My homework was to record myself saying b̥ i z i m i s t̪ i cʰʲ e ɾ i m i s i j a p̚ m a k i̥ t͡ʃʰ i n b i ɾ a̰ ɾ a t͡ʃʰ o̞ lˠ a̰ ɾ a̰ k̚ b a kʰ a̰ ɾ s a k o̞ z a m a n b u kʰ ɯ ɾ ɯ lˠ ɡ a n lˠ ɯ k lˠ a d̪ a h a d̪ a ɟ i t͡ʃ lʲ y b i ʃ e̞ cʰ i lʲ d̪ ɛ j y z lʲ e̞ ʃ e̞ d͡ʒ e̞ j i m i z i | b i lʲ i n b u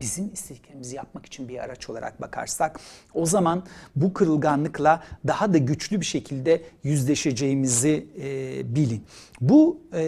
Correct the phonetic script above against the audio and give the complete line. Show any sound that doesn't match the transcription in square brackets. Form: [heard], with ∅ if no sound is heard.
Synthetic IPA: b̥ i z i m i s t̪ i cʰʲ e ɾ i m i [z] i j a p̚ m a k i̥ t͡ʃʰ i n b i ɾ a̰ ɾ a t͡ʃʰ o̞ lˠ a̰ ɾ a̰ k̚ b a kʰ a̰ ɾ s a k o̞ z a m a n b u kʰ ɯ ɾ ɯ lˠ ɡ a n lˠ ɯ k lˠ a d̪ a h a d̪ a ɟ [y] t͡ʃ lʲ y b i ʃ e̞ cʰ i lʲ d̪ ɛ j y z lʲ e̞ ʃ e̞ d͡ʒ e̞ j i m i z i | b i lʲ i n b u